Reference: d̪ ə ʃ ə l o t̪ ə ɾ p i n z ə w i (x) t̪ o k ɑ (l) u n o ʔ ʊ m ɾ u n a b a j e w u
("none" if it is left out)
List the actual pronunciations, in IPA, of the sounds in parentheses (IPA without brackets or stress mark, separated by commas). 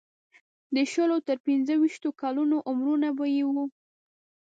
ʃ, l